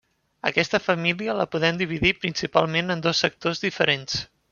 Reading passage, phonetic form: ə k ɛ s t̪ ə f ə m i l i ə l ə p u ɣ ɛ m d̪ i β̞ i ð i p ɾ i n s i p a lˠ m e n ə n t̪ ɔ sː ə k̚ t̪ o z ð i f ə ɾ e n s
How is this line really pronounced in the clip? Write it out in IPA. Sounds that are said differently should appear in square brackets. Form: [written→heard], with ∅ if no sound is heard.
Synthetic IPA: ə k ɛ s t̪ ə f ə m i l i ə l ə p u [ɣ→ð] ɛ m d̪ i β̞ i ð i p ɾ i n s i p a lˠ m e n ə n [t̪→d̪] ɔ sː ə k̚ t̪ o z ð i f ə ɾ e n s